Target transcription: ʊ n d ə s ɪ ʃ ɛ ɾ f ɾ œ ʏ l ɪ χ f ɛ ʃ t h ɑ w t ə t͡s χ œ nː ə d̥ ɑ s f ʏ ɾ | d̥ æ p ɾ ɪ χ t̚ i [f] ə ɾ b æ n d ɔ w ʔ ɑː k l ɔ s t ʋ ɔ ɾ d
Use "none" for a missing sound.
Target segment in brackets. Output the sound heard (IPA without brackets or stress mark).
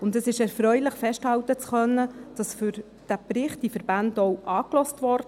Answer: f